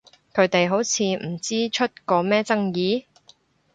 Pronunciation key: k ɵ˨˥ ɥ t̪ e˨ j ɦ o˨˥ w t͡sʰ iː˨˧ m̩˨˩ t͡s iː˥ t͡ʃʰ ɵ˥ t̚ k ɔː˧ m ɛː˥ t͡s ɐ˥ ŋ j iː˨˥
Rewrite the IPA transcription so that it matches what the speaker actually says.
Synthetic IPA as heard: kʰ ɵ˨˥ ɥ t̪ e˨ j ɦ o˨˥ w t͡sʰ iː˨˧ m̩˨˩ t͡s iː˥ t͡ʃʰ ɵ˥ t̚ k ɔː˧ m ɛː˥ t͡s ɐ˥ ŋ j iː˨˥

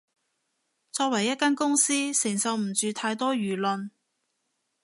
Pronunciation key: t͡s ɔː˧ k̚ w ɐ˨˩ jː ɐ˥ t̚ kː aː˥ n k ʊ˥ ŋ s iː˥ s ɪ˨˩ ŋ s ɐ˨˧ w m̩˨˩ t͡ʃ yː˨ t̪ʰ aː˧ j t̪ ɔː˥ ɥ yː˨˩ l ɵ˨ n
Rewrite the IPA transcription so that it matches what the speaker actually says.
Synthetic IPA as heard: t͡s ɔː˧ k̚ w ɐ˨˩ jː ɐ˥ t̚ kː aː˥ n k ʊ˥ ŋ s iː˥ s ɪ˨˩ ŋ s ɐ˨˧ w m̩˨˩ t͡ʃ yː˨ t̪ʰ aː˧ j t̪ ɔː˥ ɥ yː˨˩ l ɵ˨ n

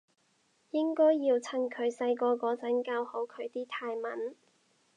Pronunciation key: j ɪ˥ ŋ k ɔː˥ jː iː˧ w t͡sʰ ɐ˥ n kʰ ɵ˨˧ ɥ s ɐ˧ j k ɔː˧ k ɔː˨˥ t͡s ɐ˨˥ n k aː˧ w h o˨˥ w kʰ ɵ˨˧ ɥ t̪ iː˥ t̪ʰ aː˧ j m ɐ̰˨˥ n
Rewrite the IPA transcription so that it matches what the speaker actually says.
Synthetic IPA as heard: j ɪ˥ ŋ k ɔː˥ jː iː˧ w t͡sʰ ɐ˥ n kʰ ɵ˨˧ ɥ s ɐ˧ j k ɔː˧ k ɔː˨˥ t͡s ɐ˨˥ n k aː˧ w h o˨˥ w kʰ ɵ˨˧ ɥ t̪ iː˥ t̪ʰ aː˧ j m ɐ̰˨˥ n

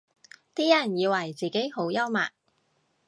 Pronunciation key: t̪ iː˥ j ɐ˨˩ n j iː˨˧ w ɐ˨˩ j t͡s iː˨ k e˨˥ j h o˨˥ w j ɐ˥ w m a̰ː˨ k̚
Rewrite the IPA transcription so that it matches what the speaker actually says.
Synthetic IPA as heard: t̪ iː˥ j ɐ˨˩ n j iː˨˧ w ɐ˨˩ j t͡s iː˨ k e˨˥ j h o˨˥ w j ɐ˥ w m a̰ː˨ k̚

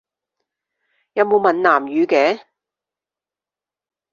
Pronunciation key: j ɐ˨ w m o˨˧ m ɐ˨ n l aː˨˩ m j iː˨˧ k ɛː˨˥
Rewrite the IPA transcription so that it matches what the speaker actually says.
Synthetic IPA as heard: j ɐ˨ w m o˨˧ m ɐ˨ n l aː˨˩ m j yː˨˧ k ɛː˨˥

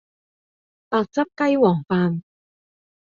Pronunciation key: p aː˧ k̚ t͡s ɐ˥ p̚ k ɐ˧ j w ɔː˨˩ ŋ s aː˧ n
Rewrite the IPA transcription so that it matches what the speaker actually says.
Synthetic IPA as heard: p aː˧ k̚ t͡s ɐ˥ p̚ k ɐ˥ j w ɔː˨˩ ŋ f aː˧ n

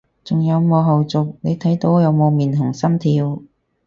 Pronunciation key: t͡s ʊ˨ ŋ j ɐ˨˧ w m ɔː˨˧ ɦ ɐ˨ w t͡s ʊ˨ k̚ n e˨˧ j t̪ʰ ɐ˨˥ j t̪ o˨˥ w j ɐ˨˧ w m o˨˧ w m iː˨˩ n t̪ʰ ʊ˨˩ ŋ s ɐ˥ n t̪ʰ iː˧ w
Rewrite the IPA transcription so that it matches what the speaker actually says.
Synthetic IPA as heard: t͡s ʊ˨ ŋ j ɐ˨˧ w m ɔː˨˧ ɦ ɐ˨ w t͡s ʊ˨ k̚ n e˨˧ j t̪ʰ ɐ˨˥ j t̪ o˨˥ w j ɐ˨˧ w m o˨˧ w m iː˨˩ n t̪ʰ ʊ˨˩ ŋ s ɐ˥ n t̪ʰ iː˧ w

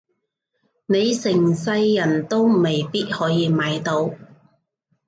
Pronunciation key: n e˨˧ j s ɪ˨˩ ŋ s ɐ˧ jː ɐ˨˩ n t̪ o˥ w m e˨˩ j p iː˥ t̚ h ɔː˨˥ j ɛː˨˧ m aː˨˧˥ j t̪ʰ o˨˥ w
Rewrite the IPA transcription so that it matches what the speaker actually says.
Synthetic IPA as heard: n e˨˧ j s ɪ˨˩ ŋ s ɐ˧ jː ɐ˨˩ n t̪ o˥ w m e˨˩ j p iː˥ t̚ h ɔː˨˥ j iː˨˧ m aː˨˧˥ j t̪ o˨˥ w

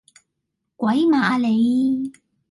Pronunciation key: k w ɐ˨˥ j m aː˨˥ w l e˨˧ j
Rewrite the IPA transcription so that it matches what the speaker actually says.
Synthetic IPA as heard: k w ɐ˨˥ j m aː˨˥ l e˨˧ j

